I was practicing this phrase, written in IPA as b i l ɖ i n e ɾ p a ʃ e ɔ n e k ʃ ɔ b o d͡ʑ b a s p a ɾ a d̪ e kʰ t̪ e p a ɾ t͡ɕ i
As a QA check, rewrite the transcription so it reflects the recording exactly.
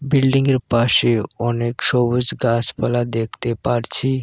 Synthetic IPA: b i l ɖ i ŋ e ɾ p a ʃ e ɔ n e k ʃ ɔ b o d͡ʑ ɡ a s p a l a d̪ e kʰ t̪ e p a ɾ t͡ɕʰ i